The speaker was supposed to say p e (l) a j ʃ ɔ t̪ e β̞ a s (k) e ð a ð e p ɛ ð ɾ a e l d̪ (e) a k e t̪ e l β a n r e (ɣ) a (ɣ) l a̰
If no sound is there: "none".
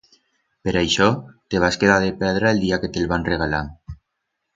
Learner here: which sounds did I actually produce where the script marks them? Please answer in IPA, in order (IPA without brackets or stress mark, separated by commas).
ɾ, k, i, ɣ, none